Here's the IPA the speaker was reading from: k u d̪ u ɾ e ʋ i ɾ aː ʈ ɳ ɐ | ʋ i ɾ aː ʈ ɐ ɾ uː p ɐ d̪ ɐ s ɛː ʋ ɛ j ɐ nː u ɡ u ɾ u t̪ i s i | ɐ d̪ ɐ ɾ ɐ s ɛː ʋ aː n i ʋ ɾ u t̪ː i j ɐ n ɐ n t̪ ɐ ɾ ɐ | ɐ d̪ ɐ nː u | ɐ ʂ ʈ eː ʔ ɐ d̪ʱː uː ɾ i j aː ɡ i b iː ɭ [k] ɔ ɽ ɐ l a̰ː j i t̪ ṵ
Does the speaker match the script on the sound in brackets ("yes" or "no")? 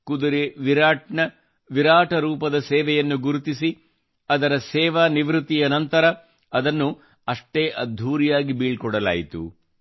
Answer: yes